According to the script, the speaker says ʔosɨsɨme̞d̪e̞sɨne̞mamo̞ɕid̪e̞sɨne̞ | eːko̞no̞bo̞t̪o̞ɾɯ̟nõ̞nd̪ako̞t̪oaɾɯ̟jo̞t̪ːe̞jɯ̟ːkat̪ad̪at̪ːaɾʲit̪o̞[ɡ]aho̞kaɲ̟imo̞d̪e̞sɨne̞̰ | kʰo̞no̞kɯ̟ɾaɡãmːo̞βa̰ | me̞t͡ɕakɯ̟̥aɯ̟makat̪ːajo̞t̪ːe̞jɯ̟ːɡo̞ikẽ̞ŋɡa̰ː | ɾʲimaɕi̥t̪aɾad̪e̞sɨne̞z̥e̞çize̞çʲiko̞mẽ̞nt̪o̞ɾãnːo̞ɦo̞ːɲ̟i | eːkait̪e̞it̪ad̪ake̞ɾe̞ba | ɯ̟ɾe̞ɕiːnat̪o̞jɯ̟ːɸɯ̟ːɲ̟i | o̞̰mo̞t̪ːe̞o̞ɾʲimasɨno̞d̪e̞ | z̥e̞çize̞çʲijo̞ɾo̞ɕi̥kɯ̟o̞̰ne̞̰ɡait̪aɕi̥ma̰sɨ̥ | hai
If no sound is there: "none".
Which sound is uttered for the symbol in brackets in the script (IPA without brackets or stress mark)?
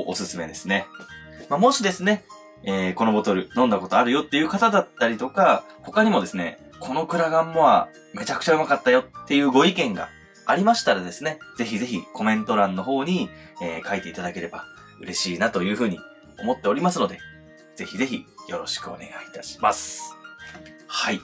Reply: k